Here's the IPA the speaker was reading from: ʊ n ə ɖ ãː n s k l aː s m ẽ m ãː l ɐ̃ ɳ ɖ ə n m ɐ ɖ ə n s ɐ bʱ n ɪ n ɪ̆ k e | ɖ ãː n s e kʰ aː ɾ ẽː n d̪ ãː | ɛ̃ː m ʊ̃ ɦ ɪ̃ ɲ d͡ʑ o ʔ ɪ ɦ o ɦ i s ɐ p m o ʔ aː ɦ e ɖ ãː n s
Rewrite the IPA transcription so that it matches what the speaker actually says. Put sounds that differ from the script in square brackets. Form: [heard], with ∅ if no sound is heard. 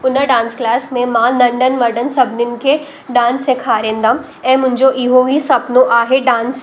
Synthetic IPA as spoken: ʊ n ə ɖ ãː n s k l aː s m ẽ m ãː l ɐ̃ ɳ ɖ ə n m ɐ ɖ ə n s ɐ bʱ n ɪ n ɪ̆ k e | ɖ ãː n s e kʰ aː ɾ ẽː n d̪ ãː | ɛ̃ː m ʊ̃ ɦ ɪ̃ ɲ d͡ʑ o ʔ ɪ ɦ o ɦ i s ɐ p [n] o ʔ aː ɦ e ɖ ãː n s

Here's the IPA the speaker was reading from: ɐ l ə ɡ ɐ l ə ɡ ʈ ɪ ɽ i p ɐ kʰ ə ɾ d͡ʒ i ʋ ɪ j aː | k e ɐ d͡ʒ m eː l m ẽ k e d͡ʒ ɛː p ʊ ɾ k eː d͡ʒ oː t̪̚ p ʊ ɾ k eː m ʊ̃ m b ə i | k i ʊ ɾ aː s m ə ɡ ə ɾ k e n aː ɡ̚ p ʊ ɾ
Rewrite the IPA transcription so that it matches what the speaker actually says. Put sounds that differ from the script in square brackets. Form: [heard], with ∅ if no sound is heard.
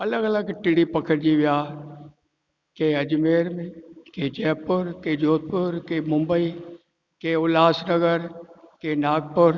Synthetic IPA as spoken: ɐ l ə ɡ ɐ l ə ɡ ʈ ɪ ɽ i p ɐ kʰ ə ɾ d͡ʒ i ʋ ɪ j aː | k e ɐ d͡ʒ m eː [ɾ] m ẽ k e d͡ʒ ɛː p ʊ ɾ k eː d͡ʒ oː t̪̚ p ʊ ɾ k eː m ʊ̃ m b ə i | k [e] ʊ [l] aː s [n] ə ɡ ə ɾ k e n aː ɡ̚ p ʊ ɾ

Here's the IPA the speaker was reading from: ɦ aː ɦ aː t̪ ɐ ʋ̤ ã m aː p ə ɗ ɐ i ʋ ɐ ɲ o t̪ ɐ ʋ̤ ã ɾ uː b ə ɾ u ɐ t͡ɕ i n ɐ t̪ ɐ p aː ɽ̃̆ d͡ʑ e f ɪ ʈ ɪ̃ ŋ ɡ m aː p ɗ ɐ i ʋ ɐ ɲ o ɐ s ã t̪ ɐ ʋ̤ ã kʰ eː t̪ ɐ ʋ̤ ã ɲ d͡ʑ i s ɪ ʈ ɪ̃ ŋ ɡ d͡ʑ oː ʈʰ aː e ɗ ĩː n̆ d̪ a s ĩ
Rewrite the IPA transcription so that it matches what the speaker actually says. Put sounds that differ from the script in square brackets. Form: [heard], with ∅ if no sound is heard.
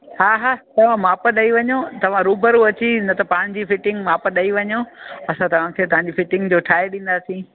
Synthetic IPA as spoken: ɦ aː ɦ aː t̪ ɐ ʋ̤ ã m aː p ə ɗ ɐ i ʋ ɐ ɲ o t̪ ɐ ʋ̤ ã ɾ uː b ə ɾ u ɐ t͡ɕ i n ɐ t̪ ɐ p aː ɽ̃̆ d͡ʑ [i] f ɪ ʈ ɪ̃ ŋ ɡ m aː p ɗ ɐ i ʋ ɐ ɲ o ɐ s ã t̪ ɐ ʋ̤ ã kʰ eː t̪ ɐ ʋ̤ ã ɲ d͡ʑ i [f] ɪ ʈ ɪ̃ ŋ ɡ d͡ʑ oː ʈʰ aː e ɗ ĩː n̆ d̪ a s ĩ

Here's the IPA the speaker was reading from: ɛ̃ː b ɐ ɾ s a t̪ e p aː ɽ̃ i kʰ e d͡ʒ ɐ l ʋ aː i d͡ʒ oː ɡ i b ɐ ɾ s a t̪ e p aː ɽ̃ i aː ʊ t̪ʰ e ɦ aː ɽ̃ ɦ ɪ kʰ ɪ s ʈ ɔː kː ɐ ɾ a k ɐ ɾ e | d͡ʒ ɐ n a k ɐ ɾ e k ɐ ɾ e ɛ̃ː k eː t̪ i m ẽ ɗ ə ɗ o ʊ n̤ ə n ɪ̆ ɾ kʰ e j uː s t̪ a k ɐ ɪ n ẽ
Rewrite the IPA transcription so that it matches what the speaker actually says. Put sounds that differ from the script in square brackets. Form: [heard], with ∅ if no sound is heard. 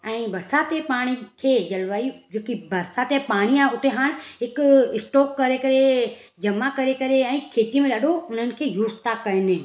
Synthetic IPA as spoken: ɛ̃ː b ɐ ɾ s a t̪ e p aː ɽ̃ i kʰ e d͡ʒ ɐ l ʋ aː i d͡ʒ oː [k] i b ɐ ɾ s a t̪ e p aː ɽ̃ i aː ʊ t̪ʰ e ɦ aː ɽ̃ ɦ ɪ [k] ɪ s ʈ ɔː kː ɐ ɾ [e] k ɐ ɾ e | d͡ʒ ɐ [m] a k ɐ ɾ e k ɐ ɾ e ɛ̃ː [kʰ] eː t̪ i m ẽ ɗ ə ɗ o ʊ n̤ ə n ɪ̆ [∅] kʰ e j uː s t̪ a k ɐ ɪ n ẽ

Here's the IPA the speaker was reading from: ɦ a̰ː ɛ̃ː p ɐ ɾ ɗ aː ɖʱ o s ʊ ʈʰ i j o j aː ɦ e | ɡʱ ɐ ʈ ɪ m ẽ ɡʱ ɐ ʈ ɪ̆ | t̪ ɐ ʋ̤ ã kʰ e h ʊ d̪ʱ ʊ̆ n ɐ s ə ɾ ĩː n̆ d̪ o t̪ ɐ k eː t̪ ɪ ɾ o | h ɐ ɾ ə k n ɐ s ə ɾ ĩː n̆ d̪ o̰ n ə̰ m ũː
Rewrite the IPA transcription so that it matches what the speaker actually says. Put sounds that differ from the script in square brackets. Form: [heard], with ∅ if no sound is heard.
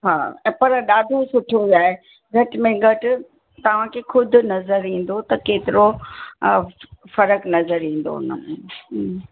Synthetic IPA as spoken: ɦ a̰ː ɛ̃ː p ɐ ɾ ɗ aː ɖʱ o s ʊ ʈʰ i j o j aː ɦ e | ɡʱ ɐ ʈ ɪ m ẽ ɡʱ ɐ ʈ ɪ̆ | t̪ ɐ ʋ̤ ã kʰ e [x] ʊ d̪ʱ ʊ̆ n ɐ [z] ə ɾ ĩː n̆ d̪ o t̪ ɐ k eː t̪ ɪ ɾ o | [f] ɐ ɾ ə k n ɐ [z] ə ɾ ĩː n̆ d̪ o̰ n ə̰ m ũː

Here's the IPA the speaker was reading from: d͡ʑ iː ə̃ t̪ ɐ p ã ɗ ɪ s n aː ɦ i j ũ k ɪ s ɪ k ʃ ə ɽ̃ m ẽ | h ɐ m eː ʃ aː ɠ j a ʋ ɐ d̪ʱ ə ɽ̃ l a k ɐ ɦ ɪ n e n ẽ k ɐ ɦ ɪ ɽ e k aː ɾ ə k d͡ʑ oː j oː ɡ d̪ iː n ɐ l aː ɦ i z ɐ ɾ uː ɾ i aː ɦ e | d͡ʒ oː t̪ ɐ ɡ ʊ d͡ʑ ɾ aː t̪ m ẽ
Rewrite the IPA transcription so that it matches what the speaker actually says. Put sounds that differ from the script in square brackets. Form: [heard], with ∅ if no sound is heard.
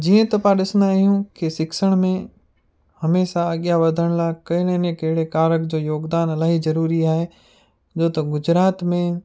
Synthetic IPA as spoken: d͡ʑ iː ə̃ t̪ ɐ p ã ɗ ɪ s n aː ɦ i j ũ k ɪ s ɪ k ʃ ə ɽ̃ m ẽ | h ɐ m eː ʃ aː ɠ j a ʋ ɐ d̪ʱ ə ɽ̃ l a k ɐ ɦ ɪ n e n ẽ k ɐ ɦ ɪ ɽ e k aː ɾ ə k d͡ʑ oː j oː ɡ d̪ [aː] n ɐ l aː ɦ i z ɐ ɾ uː ɾ i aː ɦ e | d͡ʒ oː t̪ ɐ ɡ ʊ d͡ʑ ɾ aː t̪ m ẽ

